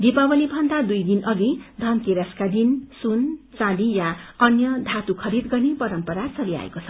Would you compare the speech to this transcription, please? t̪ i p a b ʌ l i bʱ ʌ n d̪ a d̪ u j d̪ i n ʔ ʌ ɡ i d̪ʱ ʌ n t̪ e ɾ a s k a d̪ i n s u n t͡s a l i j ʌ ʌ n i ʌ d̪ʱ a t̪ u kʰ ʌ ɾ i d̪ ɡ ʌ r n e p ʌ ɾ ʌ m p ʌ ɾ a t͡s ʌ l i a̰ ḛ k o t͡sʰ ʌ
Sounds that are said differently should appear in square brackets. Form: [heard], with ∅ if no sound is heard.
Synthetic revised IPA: [d̪] i p a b ʌ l i bʱ ʌ n d̪ a d̪ u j d̪ i n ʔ ʌ ɡ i d̪ʱ ʌ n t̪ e ɾ a s k a d̪ i n s u n t͡s a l i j [a] ʌ n [j] ʌ d̪ʱ a t̪ u kʰ ʌ ɾ i d̪ ɡ ʌ r n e p ʌ ɾ ʌ m p ʌ ɾ a t͡s ʌ l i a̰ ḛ k o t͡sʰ ʌ

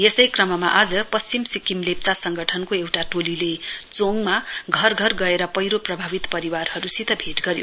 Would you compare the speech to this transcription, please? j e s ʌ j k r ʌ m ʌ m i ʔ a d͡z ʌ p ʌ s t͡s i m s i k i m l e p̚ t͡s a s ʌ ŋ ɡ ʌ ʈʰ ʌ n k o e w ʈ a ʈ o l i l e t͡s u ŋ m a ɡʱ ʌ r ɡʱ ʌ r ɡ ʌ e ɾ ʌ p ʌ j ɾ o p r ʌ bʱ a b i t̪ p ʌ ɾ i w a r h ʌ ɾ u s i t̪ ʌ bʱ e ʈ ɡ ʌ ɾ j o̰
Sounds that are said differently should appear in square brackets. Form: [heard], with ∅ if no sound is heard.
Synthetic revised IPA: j e s ʌ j k r ʌ m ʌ m [a] ʔ a d͡z ʌ p ʌ s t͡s i m s i k i m l e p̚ t͡s a s ʌ ŋ ɡ ʌ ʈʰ ʌ n k o e w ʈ a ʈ o l i l e t͡s [o] ŋ m a ɡʱ ʌ r ɡʱ ʌ r ɡ ʌ e ɾ ʌ p ʌ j ɾ o p r ʌ bʱ a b i t̪ p ʌ ɾ i w a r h ʌ ɾ u s i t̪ ʌ bʱ e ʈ ɡ ʌ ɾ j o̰

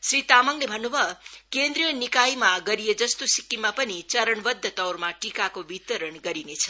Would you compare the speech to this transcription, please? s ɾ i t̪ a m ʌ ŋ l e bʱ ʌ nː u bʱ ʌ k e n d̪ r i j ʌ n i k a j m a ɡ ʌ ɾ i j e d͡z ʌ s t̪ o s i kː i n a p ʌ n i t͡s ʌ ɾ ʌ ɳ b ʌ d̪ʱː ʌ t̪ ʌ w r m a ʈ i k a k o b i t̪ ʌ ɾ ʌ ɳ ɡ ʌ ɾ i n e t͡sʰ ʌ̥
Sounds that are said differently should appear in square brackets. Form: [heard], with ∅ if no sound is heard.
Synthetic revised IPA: s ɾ i t̪ a m ʌ ŋ l e bʱ ʌ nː u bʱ ʌ k e n d̪ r i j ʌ n i k a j m a ɡ ʌ ɾ i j e d͡z ʌ s t̪ o s i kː i [m] a p ʌ n i t͡s ʌ ɾ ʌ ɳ b ʌ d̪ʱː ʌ t̪ ʌ w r m a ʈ i k a k o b i t̪ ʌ ɾ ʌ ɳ ɡ ʌ ɾ i n e t͡sʰ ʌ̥

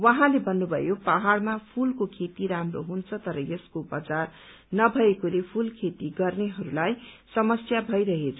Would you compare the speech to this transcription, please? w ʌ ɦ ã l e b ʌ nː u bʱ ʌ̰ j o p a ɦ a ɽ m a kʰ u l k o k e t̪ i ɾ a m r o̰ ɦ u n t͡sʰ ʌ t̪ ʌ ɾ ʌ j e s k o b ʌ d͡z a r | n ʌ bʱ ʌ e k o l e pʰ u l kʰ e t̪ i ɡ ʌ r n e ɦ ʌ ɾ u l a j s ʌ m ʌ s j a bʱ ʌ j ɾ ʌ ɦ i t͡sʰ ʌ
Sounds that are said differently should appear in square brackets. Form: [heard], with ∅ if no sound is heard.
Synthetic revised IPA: w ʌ ɦ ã l e b ʌ nː u bʱ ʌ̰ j o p a ɦ a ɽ m a [pʰ] u l k o [kʰ] e t̪ i ɾ a m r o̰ ɦ u n t͡sʰ ʌ t̪ ʌ ɾ ʌ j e s k o b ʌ d͡z a r | n ʌ bʱ ʌ e k o l e pʰ u l kʰ e t̪ i ɡ ʌ r n e ɦ ʌ ɾ u l a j s ʌ m ʌ s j a bʱ ʌ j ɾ ʌ ɦ [e] t͡sʰ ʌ

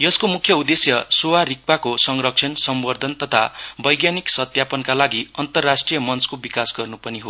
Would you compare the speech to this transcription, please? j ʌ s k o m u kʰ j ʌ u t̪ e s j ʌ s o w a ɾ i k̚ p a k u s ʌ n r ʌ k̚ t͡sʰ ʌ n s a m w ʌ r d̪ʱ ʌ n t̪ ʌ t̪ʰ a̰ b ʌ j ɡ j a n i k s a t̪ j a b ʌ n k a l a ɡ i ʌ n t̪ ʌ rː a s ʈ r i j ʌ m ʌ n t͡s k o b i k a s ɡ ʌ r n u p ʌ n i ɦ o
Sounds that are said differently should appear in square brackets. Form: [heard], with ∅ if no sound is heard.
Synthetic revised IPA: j ʌ s k o m u kʰ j ʌ u [d̪] e s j ʌ s o w a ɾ i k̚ p a k [o] s ʌ [ŋ] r ʌ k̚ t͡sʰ ʌ n s [ʌ] m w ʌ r d̪ʱ ʌ n t̪ ʌ t̪ʰ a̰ b ʌ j ɡ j a n i k s [ʌ] t̪ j a [p] ʌ n k a l a ɡ i ʌ n t̪ ʌ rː a s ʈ r i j ʌ m ʌ n t͡s k o b i k a s ɡ ʌ r n u p ʌ n i ɦ o

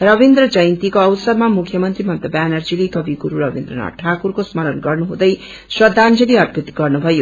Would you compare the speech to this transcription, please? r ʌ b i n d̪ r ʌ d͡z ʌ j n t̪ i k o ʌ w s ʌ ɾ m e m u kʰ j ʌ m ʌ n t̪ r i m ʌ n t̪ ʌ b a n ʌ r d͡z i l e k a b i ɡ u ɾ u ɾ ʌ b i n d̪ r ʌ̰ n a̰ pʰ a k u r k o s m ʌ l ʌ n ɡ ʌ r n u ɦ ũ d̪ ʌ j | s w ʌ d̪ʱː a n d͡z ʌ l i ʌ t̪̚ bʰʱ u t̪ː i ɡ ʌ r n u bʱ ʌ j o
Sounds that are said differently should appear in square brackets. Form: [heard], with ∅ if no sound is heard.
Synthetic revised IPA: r ʌ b i n d̪ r ʌ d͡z ʌ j n t̪ i k o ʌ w s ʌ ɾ m [a] m u kʰ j ʌ m ʌ n t̪ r i m ʌ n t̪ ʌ b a n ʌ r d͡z i l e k [ʌ] b i ɡ u ɾ u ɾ ʌ b i n d̪ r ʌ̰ n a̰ [ʈʰ] a k u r k o s m ʌ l ʌ n ɡ ʌ r n u ɦ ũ d̪ ʌ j | s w ʌ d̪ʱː a n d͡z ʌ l i ʌ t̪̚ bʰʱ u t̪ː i ɡ ʌ r n u bʱ ʌ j o

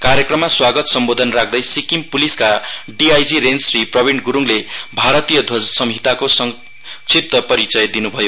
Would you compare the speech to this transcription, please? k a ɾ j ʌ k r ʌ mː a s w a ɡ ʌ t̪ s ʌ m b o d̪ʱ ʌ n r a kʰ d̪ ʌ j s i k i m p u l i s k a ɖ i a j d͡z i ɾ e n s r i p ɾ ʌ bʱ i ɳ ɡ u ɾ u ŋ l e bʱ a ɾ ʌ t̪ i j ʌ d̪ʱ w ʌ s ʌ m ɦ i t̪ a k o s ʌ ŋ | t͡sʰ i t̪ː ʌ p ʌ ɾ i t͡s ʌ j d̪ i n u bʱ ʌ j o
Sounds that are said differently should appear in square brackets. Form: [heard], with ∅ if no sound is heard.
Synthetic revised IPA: k a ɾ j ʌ k r ʌ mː a s w a ɡ ʌ t̪ s ʌ m b o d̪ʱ ʌ n r a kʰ d̪ ʌ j s i k i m p u l i s k a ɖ i a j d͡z i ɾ e n s r i p [r] ʌ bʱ i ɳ ɡ u ɾ u ŋ l e bʱ a ɾ ʌ t̪ i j ʌ d̪ʱ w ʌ s ʌ m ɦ i t̪ a k o s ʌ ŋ | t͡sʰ i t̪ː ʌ p ʌ ɾ i t͡s ʌ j d̪ i n u bʱ ʌ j o

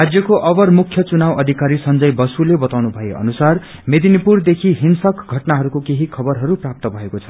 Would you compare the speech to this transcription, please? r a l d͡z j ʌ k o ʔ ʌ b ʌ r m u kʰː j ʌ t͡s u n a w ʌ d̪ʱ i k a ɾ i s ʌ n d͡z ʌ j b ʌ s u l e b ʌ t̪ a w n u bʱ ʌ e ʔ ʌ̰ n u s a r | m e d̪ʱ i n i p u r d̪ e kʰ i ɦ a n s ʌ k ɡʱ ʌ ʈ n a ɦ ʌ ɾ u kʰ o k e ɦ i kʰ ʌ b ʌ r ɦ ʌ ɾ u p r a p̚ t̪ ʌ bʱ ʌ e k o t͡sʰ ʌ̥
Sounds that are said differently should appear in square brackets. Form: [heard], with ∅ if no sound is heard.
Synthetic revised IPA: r a [∅] d͡z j ʌ k o ʔ ʌ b ʌ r m u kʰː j ʌ t͡s u n a w ʌ d̪ʱ i k a ɾ i s ʌ n d͡z ʌ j b ʌ s u l e b ʌ t̪ a w n u bʱ ʌ e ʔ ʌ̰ n u s a r | m e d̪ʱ i n i p u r d̪ e kʰ i ɦ [i] n s ʌ k ɡʱ ʌ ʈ n a ɦ ʌ ɾ u [k] o k e ɦ i kʰ ʌ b ʌ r ɦ ʌ ɾ u p r a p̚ t̪ ʌ bʱ ʌ e k o t͡sʰ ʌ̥

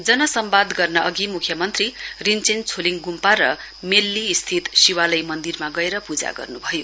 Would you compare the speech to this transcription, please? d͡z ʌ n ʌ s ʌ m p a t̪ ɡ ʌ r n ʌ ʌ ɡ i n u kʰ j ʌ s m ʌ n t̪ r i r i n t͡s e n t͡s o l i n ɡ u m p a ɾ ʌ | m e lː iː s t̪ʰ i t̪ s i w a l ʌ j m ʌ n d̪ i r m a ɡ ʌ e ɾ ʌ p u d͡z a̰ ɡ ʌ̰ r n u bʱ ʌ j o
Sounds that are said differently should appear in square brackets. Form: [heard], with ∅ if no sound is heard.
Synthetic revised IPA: d͡z ʌ n ʌ s ʌ m [b] a [d̪] ɡ ʌ r n ʌ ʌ ɡ i [m] u kʰ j ʌ [∅] m ʌ n t̪ r i r i n t͡s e n [t͡sʰ] o l i [ŋ] ɡ u m p a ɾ ʌ | m e lː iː s t̪ʰ i t̪ s i w a l ʌ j m ʌ n d̪ i r m a ɡ ʌ e ɾ ʌ p u d͡z a̰ ɡ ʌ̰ r n u bʱ ʌ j o

